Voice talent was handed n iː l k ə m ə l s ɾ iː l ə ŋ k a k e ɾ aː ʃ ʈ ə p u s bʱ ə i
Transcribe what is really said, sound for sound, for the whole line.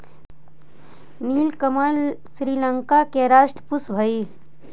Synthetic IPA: n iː l k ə m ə l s ɾ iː l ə ŋ k a k e ɾ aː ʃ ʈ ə p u s bʱ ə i